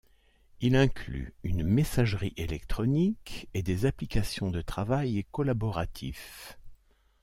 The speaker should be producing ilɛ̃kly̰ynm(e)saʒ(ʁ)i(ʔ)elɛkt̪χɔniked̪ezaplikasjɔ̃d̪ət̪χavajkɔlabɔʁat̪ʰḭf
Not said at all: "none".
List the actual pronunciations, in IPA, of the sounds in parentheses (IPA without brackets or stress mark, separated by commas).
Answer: e, ʁ, ʔ